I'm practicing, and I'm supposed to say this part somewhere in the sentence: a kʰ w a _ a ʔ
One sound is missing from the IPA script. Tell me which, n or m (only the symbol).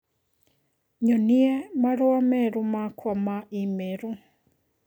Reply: m